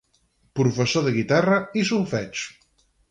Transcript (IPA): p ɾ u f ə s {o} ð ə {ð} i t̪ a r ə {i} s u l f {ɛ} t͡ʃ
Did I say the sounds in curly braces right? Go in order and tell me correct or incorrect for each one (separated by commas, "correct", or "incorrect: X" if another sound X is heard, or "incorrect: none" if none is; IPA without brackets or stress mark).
correct, incorrect: ɣ, correct, correct